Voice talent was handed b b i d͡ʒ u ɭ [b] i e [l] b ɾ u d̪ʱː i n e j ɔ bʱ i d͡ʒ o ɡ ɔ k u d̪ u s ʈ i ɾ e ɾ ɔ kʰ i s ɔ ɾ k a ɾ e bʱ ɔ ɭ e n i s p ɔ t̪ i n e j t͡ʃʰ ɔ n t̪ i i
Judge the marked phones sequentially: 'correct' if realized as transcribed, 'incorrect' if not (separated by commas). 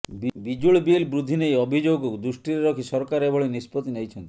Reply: correct, correct